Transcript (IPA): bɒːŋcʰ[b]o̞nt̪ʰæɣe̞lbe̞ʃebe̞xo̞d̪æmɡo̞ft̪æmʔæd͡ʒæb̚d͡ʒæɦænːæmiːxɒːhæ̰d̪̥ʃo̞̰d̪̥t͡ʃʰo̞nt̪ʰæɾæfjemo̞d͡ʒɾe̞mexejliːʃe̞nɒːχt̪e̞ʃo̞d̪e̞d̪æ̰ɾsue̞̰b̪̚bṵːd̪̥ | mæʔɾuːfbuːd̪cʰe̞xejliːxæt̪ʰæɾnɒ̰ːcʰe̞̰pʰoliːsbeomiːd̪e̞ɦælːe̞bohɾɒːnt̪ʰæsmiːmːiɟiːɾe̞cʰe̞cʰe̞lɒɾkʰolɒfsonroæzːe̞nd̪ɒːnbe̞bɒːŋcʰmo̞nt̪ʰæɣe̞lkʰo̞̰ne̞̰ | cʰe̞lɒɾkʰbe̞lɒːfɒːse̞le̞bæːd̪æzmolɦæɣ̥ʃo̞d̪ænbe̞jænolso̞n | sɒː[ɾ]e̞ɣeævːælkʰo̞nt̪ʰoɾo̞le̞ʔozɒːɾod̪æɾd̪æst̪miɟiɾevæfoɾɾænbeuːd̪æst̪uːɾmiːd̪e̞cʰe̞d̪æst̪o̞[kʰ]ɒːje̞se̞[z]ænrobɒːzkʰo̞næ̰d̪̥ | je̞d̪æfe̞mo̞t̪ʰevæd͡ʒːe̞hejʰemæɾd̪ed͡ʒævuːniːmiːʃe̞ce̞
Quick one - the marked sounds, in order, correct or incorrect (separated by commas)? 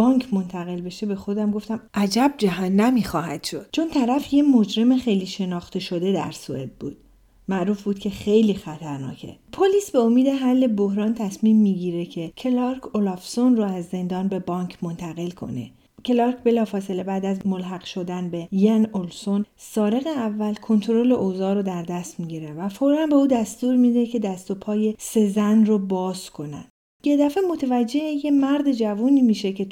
incorrect, correct, incorrect, correct